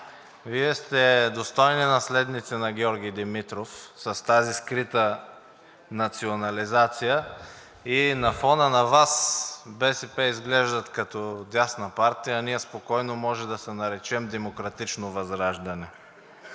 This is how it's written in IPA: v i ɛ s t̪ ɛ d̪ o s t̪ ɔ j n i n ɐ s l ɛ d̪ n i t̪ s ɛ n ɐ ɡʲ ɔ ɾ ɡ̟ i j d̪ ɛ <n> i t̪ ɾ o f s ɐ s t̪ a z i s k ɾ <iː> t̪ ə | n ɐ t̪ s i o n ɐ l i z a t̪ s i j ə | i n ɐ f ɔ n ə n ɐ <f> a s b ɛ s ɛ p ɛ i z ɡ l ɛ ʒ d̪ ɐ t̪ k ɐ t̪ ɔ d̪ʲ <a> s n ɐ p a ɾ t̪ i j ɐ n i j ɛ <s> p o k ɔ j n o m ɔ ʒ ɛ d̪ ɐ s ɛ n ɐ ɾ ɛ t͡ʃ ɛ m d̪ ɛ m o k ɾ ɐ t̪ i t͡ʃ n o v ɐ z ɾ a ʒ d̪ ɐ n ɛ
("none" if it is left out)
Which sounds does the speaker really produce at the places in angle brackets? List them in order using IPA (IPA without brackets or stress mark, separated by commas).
m, i, v, a, s